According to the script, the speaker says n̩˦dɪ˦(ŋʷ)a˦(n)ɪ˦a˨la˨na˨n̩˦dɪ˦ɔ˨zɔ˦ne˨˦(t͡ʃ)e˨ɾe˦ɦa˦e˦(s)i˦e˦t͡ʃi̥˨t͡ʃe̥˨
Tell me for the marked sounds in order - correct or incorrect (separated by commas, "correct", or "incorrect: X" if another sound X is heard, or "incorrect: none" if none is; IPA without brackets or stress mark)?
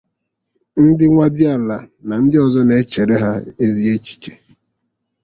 correct, incorrect: d, correct, incorrect: z